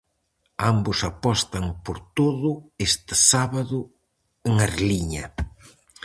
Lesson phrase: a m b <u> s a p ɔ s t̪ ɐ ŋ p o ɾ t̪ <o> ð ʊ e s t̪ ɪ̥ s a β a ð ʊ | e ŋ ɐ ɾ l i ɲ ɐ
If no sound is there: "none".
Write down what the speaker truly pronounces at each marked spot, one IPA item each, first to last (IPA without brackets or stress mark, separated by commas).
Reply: ʊ, o